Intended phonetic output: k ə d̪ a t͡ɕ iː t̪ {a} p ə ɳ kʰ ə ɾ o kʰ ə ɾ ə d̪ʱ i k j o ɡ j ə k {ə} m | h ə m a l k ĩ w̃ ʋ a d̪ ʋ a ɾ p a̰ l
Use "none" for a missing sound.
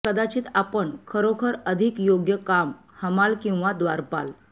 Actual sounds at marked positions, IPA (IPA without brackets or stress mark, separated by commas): a, a